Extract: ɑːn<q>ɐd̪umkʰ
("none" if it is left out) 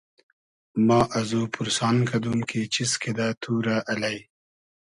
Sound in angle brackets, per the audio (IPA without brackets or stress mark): k